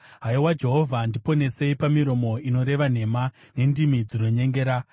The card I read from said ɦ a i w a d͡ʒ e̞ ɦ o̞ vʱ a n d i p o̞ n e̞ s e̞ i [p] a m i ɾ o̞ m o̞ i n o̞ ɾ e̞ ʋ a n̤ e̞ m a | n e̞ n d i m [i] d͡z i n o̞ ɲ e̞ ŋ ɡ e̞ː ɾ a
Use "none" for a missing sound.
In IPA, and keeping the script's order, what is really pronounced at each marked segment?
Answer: p, i

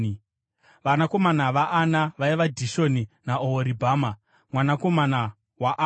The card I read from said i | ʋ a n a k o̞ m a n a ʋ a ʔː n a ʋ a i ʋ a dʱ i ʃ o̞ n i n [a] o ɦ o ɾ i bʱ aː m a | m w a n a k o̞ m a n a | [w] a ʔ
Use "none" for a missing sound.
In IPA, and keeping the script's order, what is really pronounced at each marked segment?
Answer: a, w

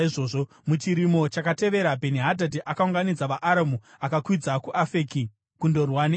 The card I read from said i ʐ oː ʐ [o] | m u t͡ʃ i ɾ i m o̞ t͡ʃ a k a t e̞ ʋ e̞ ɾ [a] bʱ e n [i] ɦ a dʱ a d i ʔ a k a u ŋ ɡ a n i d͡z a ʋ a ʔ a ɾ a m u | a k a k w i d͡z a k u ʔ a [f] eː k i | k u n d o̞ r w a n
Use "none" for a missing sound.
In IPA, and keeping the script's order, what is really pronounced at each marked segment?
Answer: o, a, i, f

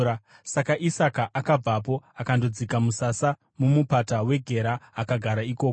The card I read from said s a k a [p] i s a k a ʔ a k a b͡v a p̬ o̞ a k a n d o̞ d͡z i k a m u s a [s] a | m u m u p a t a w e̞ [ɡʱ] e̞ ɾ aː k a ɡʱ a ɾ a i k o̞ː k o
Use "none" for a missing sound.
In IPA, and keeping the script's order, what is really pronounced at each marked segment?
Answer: ʔ, s, ɡʱ

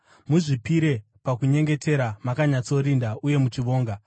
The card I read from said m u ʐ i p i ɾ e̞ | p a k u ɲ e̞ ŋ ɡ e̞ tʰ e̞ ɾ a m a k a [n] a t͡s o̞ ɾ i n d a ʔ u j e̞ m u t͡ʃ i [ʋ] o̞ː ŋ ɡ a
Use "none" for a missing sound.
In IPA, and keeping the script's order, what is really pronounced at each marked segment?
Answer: ɲ, ʋ

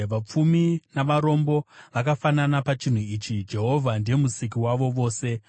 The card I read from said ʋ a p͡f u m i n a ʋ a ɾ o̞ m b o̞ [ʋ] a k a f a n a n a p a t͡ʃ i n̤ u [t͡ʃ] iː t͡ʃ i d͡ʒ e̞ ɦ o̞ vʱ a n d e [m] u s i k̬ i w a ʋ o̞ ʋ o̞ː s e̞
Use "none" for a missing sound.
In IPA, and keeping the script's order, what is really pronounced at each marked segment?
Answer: ʋ, none, m

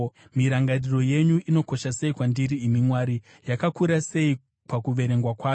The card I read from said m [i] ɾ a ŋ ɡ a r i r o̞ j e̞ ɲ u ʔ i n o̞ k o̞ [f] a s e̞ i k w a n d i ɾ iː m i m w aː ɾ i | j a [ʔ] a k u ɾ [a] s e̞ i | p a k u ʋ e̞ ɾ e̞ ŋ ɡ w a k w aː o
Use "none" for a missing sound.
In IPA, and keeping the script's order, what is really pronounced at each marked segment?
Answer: i, ʃ, k, a

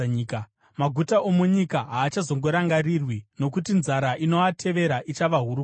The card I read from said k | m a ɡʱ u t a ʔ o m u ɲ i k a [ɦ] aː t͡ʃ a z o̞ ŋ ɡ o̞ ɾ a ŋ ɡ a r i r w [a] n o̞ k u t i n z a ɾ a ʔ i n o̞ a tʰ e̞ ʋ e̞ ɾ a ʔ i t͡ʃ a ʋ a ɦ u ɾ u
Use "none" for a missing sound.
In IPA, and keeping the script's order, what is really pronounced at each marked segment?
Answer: ɦ, i

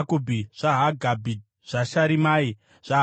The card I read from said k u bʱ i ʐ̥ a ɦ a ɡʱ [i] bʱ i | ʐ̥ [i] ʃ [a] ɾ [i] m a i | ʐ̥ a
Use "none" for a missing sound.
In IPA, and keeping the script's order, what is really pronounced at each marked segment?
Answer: a, a, a, i

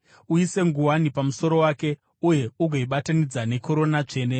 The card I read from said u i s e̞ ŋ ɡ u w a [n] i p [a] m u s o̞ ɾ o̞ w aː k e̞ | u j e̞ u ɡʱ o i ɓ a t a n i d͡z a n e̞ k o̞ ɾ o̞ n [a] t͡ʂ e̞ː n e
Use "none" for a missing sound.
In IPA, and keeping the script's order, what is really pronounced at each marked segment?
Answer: n, a, a

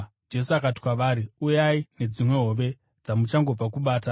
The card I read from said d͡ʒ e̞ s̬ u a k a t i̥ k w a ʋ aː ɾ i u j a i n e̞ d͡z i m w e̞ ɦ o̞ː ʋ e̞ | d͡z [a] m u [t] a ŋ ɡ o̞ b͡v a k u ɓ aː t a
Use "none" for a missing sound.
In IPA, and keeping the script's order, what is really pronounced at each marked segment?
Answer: a, t͡ʃ

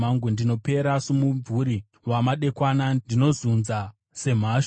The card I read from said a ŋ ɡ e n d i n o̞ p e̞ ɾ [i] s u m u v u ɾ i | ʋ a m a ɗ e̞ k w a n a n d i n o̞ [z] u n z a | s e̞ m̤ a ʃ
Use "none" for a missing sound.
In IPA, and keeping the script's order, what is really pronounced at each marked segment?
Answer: a, z

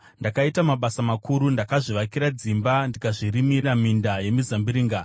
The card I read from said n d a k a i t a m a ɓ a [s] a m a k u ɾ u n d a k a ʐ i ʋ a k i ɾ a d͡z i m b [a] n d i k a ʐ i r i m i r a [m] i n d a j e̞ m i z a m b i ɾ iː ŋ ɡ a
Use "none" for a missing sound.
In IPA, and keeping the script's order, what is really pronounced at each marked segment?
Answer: s, a, m

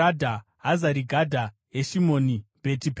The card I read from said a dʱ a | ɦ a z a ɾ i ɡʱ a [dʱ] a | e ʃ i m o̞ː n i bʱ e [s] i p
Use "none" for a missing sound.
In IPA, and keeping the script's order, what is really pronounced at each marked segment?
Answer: dʱ, t

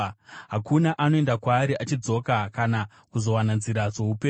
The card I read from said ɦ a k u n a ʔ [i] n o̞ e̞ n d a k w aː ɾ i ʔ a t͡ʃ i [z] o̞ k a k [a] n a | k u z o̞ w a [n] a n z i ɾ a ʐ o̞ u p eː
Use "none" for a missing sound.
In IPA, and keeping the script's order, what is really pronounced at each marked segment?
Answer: a, d͡z, a, n

